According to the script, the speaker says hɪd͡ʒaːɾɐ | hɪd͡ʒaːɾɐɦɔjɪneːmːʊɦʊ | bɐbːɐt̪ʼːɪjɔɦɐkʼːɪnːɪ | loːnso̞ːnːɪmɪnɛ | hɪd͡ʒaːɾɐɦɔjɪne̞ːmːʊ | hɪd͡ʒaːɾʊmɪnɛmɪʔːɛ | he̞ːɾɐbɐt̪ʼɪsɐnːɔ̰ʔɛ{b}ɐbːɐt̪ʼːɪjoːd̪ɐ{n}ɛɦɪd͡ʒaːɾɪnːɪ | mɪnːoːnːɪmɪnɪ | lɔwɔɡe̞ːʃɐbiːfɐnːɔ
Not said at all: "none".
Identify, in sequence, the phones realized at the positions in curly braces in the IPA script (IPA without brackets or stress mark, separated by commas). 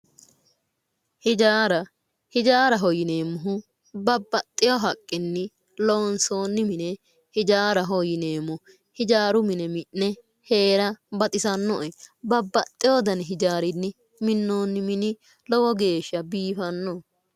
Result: b, n